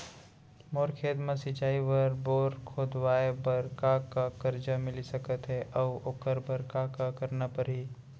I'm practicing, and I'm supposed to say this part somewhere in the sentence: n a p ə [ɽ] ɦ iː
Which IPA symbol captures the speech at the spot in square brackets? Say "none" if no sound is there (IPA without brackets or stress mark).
ɾ